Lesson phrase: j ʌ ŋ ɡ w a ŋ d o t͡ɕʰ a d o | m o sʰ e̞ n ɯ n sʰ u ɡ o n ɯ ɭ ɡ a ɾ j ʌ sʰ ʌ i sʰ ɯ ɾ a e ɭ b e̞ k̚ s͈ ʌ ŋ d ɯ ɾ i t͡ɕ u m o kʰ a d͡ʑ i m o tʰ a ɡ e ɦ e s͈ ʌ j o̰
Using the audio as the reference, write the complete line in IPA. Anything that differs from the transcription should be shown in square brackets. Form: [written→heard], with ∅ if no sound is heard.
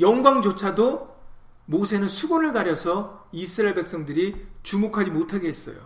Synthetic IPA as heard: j ʌ ŋ ɡ w a ŋ [d→d͡ʑ] o t͡ɕʰ a d o | m o sʰ e̞ n ɯ n sʰ u ɡ o n ɯ ɭ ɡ a ɾ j ʌ sʰ ʌ i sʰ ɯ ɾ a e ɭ b e̞ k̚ s͈ ʌ ŋ d ɯ ɾ i t͡ɕ u m o kʰ a d͡ʑ i m o tʰ a ɡ e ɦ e s͈ ʌ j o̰